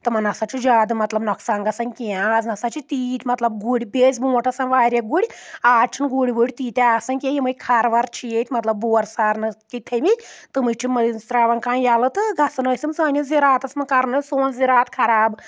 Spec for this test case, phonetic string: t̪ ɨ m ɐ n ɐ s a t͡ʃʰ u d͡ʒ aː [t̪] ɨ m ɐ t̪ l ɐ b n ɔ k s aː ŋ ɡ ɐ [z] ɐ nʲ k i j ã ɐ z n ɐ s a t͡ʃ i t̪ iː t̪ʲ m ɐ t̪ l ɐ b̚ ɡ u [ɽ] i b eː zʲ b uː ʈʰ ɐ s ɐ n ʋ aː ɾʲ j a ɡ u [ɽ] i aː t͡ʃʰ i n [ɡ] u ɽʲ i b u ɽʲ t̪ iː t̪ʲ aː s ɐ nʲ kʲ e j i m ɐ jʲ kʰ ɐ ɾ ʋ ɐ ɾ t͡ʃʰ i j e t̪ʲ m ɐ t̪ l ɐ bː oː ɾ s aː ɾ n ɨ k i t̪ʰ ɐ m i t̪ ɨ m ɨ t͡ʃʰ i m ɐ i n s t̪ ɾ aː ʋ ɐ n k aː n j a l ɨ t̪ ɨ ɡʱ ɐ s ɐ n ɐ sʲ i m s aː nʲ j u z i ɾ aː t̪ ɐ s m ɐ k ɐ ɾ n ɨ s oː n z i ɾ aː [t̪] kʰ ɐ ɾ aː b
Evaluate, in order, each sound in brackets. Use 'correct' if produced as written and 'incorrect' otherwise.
incorrect: d̪, incorrect: s, correct, correct, correct, correct

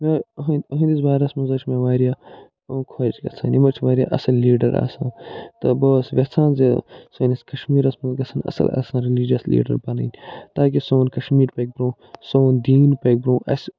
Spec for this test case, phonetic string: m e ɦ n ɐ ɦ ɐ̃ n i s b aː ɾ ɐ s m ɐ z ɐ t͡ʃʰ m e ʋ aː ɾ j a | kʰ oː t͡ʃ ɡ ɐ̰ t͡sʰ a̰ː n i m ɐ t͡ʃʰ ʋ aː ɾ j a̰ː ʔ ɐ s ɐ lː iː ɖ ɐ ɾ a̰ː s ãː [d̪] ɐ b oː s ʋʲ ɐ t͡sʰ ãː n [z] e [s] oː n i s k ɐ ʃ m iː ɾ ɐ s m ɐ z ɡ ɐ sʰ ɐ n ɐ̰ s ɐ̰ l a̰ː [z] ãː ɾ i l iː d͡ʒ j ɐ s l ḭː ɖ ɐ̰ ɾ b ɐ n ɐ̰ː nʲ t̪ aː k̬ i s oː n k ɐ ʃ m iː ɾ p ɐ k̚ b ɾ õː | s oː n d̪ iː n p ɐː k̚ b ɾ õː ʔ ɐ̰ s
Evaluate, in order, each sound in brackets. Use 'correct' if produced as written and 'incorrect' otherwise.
incorrect: t̪, correct, correct, incorrect: s

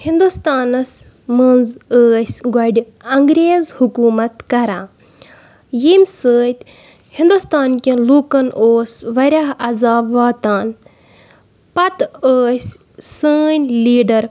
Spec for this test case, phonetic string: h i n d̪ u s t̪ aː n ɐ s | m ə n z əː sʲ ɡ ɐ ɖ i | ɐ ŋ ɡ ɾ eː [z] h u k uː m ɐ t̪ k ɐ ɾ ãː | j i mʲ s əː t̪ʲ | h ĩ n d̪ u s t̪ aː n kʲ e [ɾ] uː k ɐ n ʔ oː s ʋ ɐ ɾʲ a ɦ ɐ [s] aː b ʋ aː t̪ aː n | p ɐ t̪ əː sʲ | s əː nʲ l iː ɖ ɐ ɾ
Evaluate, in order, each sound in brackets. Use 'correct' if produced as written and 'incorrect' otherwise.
correct, incorrect: l, incorrect: z

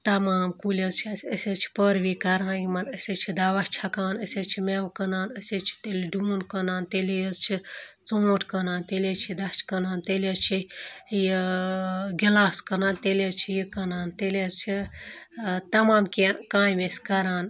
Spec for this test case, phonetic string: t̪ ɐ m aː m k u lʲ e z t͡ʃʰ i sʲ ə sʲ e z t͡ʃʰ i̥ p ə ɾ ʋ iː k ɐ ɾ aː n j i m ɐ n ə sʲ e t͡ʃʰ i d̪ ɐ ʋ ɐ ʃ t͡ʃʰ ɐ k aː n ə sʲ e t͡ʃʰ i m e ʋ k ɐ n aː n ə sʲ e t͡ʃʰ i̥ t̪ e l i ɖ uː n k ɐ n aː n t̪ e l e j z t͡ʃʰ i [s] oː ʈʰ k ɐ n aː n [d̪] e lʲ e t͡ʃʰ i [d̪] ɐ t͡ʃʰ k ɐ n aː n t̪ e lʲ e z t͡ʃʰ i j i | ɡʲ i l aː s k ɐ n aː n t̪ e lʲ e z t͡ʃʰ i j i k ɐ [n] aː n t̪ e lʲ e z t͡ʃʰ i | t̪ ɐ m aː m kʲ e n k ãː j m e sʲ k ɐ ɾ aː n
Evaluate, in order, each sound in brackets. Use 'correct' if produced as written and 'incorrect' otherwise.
incorrect: t͡s, incorrect: t̪, correct, correct

